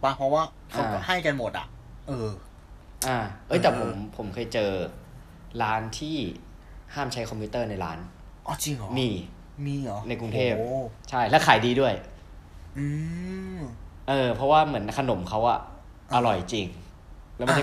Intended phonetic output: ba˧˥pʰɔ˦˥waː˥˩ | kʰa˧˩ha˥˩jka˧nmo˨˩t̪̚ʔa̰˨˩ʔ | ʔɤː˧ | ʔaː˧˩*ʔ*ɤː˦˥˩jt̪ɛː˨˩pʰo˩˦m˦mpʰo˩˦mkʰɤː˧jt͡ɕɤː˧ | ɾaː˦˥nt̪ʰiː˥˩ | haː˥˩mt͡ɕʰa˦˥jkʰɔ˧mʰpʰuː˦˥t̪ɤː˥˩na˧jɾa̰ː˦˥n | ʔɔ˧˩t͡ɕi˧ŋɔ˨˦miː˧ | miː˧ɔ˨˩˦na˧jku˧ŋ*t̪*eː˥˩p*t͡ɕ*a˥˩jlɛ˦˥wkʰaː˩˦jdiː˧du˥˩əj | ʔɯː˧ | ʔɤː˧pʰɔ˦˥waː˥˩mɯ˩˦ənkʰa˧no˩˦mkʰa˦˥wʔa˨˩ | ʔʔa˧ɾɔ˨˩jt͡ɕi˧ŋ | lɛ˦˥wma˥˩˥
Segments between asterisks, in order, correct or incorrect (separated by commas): correct, incorrect, incorrect